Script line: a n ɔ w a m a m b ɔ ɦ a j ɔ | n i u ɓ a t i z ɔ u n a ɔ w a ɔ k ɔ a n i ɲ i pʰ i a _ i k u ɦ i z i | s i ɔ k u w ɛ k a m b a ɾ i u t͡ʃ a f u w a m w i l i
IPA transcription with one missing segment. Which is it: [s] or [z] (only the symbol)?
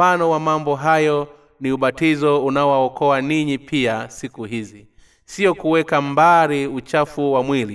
s